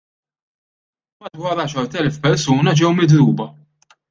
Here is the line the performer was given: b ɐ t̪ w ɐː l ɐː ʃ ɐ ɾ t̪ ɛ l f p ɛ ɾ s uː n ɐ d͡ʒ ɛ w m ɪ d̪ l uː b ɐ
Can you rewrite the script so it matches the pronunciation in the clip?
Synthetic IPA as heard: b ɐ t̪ w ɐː ɾ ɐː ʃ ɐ ɾ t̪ ɛ l f p ɛ ɾ s uː n ɐ d͡ʒ ɛ w m ɪ d̪ ɾ uː b ɐ